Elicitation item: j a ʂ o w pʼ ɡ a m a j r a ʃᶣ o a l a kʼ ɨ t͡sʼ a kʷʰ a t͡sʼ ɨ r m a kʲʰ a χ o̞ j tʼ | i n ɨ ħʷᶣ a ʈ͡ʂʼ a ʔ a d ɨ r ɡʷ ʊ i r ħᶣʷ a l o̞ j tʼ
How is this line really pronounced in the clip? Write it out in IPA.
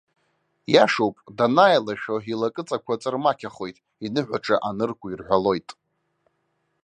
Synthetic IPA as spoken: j a ʂ o w pʼ d a n a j l a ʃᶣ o i l a kʼ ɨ t͡sʼ a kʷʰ a t͡sʼ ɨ r m a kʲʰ a χ o̞ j tʼ | i n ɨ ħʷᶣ a ʈ͡ʂʼ a ʔ a n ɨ r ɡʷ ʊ i r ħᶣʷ a l o̞ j tʼ